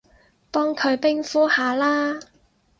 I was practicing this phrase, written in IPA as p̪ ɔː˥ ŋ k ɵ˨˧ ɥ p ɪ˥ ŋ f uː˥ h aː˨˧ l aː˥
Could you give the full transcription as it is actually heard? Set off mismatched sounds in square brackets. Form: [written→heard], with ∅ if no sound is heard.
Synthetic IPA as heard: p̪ ɔː˥ ŋ [k→kʰ] ɵ˨˧ ɥ p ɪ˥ ŋ f uː˥ h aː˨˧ l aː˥